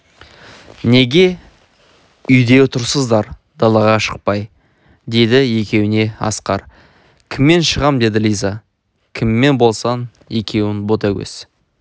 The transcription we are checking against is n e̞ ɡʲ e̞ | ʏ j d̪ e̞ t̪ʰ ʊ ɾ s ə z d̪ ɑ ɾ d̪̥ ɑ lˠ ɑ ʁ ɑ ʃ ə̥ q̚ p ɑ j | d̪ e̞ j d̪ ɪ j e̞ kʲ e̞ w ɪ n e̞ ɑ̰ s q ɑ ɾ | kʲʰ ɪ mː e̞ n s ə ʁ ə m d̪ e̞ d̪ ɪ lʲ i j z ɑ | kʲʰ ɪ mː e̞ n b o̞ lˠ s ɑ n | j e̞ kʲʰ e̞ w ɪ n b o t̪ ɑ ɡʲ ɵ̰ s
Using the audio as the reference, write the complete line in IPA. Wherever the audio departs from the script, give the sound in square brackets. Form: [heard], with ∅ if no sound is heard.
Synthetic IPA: n e̞ ɡʲ e̞ | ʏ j d̪ e̞ t̪ʰ ʊ ɾ s ə z d̪ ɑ ɾ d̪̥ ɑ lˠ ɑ ʁ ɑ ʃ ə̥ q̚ p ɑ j | d̪ e̞ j d̪ ɪ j e̞ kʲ e̞ w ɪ n e̞ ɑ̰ s q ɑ ɾ | kʲʰ ɪ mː e̞ n [ʃ] ə ʁ [ɑ] m d̪ e̞ d̪ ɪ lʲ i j z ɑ | kʲʰ ɪ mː e̞ n b o̞ lˠ s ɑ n | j e̞ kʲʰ e̞ w ɪ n b o t̪ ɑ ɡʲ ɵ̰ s